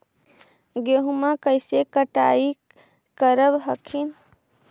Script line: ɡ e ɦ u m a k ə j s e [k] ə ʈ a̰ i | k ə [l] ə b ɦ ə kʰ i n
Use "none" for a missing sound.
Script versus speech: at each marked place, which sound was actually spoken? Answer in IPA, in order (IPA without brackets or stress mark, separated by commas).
k, ɾ